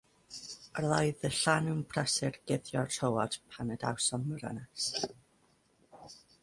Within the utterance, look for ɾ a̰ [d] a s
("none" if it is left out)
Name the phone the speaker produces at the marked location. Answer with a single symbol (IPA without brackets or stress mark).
n